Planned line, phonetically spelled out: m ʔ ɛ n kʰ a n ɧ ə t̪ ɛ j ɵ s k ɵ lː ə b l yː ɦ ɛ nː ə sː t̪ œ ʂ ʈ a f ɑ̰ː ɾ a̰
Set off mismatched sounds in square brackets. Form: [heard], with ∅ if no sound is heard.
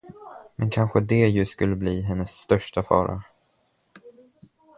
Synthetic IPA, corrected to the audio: m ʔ ɛ n kʰ a n ɧ ə [d̪] ɛ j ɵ s k ɵ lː ə b l [iː] ɦ ɛ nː ə sː t̪ œ ʂ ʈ a f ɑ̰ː ɾ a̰